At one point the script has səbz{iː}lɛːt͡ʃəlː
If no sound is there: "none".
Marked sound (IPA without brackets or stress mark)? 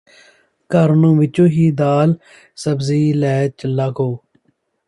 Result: iː